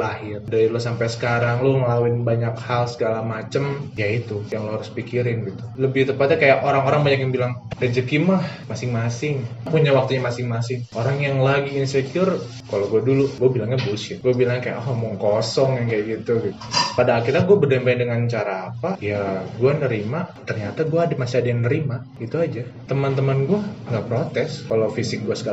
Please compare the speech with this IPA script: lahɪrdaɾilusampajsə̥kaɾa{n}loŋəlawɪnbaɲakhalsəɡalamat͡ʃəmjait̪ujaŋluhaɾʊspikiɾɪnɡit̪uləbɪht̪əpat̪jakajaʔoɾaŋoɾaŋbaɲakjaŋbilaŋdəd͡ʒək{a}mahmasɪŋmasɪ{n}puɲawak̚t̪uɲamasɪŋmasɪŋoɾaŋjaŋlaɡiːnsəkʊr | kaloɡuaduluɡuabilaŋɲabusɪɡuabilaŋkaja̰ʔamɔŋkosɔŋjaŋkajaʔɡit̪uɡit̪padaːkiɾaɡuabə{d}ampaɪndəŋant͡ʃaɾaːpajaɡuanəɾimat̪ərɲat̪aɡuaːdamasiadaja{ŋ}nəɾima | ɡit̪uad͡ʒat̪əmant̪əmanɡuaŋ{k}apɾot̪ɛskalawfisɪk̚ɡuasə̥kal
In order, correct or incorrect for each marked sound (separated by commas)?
incorrect, incorrect, incorrect, correct, correct, incorrect